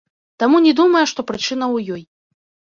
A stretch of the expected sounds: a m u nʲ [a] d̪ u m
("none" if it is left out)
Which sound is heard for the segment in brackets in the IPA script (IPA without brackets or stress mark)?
ɛ